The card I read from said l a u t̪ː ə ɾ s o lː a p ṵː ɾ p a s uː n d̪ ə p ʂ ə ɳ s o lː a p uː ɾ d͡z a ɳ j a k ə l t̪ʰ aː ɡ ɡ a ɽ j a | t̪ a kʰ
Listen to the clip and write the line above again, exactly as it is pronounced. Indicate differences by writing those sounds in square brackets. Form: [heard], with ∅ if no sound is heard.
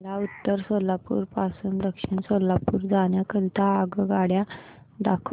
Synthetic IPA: l a u t̪ː ə ɾ s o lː a p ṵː ɾ p a s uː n d̪ ə [k] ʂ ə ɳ s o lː a p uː ɾ d͡z a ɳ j a k ə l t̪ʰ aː ɡ ɡ a ɽ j a | [d̪] a kʰ